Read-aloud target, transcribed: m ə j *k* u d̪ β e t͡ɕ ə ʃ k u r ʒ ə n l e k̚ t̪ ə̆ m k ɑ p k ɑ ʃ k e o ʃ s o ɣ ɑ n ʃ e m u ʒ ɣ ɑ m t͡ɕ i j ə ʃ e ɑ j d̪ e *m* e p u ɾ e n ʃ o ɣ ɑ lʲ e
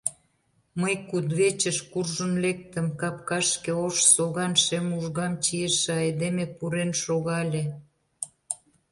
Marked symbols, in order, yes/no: yes, yes

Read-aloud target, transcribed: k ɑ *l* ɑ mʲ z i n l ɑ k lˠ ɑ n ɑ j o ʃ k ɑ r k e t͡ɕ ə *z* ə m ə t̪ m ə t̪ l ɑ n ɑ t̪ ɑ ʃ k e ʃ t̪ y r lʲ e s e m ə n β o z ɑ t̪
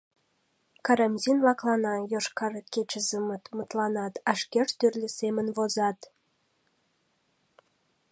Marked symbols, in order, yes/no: no, yes

